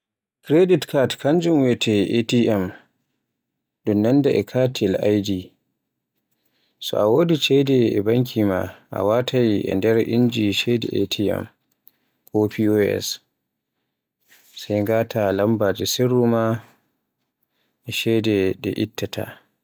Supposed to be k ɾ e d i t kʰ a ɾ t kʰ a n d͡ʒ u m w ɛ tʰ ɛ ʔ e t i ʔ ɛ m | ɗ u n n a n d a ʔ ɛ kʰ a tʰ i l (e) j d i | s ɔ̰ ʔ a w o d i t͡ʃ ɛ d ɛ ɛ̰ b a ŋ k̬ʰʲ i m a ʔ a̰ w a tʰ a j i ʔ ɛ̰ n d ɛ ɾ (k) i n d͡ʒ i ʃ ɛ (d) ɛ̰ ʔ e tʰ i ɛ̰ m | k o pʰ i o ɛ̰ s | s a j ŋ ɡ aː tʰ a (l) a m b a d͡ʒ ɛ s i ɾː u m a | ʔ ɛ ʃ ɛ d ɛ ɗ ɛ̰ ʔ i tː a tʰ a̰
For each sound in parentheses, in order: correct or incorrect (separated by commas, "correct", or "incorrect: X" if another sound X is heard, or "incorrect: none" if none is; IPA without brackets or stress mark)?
incorrect: a, incorrect: ʔ, correct, correct